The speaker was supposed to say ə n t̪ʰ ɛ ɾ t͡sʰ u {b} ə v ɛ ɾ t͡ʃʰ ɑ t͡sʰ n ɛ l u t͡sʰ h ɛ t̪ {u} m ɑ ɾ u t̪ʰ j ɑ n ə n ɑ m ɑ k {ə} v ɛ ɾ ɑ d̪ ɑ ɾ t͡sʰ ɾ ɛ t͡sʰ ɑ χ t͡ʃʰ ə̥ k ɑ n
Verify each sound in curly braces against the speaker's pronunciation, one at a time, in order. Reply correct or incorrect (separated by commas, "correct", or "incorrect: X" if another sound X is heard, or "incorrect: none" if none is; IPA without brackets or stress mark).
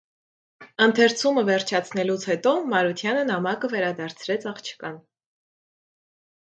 incorrect: m, incorrect: ɔ, correct